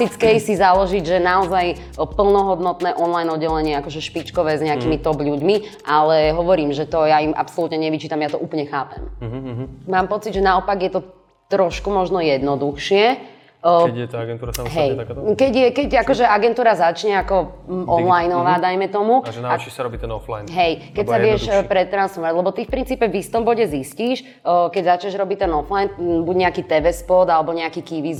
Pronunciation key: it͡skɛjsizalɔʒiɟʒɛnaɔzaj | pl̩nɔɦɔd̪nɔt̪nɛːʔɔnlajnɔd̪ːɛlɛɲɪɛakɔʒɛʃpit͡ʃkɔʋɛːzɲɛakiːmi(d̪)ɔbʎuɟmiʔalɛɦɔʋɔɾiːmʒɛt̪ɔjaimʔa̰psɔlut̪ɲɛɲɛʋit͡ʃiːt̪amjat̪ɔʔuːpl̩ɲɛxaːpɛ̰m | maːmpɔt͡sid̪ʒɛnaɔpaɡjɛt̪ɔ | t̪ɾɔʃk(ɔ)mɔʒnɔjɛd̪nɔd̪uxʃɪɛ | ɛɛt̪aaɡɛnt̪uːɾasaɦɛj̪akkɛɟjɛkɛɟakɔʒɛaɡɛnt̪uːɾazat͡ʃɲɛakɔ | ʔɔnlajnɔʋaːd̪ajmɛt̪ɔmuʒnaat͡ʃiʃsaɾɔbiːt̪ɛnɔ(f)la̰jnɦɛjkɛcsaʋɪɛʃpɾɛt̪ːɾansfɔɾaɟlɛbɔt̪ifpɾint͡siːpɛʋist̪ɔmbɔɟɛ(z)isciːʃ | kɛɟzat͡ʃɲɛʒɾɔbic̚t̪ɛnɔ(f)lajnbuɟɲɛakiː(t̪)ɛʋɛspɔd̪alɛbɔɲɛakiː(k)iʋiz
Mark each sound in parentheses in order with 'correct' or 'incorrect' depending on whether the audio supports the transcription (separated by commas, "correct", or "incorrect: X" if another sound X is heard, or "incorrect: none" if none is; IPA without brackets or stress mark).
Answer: incorrect: t̪, incorrect: u, correct, correct, correct, correct, correct